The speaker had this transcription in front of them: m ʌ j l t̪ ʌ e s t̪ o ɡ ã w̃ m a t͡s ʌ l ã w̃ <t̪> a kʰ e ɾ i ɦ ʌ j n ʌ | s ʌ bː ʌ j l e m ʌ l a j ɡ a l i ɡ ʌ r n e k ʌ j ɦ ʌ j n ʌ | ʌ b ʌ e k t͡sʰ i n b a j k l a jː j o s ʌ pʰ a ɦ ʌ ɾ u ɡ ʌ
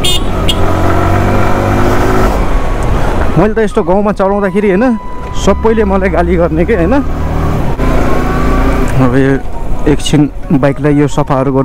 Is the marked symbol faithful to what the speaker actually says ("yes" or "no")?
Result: no